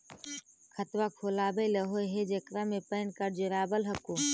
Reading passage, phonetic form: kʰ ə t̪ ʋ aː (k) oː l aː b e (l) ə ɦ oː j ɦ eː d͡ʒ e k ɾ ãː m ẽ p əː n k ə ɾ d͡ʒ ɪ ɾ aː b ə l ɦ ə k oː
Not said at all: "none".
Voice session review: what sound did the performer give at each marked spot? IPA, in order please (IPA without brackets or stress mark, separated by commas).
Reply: kʰ, l